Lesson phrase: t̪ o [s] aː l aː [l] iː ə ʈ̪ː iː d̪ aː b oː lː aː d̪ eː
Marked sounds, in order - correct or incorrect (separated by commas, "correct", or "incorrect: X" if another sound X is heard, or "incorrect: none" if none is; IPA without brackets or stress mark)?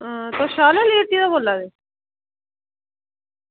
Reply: incorrect: ʃ, correct